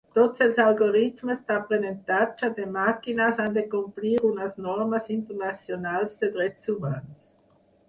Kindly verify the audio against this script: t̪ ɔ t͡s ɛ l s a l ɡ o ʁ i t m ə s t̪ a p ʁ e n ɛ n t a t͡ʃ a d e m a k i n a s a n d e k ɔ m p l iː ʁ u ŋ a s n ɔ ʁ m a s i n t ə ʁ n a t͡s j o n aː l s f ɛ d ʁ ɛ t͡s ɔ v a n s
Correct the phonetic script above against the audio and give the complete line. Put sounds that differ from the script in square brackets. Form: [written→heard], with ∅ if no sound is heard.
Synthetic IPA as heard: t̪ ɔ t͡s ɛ l s a l ɡ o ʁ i t m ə s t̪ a p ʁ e n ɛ n t a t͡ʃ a d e m a k i n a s a n d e k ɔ m p l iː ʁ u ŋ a s n ɔ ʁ m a s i n t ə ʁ n a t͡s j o n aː l s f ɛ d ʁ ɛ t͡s [ɔ→u] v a n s